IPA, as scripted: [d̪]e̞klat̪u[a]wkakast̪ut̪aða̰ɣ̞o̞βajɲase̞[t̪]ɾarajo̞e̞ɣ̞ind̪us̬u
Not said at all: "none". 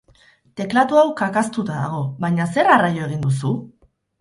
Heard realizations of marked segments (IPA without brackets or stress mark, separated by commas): t̪, a, none